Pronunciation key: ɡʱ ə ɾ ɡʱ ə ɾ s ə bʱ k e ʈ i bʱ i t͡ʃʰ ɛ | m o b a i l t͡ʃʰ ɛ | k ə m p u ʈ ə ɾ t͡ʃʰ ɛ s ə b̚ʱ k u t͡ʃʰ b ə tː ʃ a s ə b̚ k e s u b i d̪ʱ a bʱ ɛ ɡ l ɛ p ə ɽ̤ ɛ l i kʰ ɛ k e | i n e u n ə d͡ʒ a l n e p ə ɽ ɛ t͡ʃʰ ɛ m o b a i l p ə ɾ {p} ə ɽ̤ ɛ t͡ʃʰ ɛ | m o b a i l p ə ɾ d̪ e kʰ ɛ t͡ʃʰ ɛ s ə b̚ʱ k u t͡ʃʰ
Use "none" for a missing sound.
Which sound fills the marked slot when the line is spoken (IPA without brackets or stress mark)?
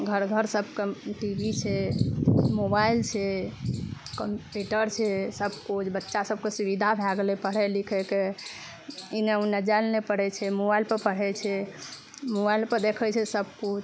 p